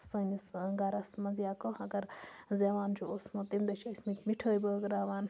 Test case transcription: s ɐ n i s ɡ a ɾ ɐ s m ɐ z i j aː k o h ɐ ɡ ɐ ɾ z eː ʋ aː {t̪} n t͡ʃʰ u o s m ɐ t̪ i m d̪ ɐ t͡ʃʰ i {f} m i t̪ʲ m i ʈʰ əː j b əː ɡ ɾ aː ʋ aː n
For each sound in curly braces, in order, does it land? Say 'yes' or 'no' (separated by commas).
no, no